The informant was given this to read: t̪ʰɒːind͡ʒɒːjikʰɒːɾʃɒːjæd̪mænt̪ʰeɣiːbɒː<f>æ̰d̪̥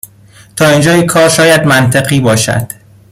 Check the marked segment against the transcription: incorrect: ʃ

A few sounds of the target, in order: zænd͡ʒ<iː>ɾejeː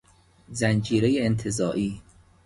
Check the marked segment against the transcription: correct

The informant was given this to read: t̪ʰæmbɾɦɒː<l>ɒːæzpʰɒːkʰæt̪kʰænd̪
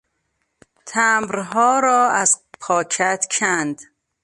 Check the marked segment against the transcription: incorrect: ɾ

